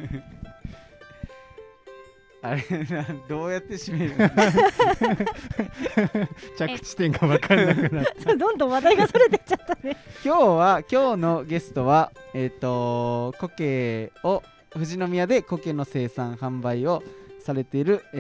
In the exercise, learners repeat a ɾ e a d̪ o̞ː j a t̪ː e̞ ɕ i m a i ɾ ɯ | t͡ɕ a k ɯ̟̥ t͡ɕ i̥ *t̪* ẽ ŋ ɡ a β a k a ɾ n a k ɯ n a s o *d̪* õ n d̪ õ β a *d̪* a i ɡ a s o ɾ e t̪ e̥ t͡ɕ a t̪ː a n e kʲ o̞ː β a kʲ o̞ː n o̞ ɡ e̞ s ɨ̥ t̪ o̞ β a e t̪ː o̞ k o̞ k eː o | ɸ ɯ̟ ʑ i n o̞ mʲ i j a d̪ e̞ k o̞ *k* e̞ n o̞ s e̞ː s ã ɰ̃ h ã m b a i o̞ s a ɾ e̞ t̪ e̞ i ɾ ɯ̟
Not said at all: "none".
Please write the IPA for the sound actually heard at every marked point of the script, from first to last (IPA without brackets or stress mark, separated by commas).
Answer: t̪, d̪, d̪, k